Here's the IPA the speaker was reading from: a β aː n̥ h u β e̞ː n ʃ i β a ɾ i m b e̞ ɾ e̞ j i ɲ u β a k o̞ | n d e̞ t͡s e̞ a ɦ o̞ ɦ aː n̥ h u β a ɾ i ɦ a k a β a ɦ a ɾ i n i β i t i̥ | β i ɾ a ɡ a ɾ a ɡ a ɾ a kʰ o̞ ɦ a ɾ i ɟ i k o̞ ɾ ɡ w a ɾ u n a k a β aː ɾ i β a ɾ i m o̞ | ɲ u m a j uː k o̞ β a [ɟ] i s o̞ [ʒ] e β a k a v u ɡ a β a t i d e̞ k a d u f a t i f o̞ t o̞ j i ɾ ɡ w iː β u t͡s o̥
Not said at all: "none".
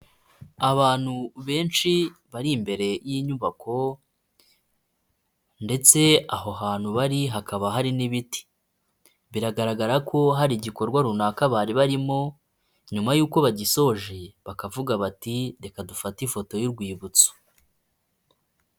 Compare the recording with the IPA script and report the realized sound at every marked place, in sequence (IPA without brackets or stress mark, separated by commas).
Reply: ɟ, ʒ